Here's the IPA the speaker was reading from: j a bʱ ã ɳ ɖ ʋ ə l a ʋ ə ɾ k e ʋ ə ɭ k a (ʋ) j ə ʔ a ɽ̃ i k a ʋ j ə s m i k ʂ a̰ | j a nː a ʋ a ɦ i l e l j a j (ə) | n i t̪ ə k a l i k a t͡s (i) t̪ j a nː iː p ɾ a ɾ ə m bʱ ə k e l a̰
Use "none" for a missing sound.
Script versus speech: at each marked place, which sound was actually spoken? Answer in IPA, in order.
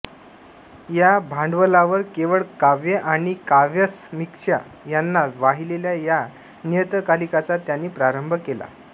ʋ, a, a

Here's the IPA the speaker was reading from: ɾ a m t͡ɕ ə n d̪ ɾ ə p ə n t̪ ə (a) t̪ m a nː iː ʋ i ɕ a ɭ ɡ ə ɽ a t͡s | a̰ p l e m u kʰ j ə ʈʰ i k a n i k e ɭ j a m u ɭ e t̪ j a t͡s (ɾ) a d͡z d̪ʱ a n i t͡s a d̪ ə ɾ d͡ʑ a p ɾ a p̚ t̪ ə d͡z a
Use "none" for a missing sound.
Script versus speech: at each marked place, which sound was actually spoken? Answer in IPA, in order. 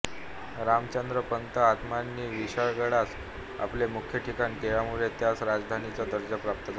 a, ɾ

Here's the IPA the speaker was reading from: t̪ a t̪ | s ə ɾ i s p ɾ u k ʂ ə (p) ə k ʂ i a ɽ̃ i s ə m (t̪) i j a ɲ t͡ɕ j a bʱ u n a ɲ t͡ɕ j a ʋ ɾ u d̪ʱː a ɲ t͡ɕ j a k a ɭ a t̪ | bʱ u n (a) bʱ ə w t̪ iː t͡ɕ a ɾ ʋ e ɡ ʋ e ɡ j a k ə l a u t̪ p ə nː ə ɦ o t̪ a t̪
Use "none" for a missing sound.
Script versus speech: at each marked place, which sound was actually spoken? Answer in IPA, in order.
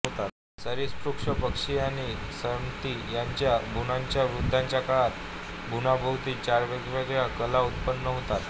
p, t̪, a

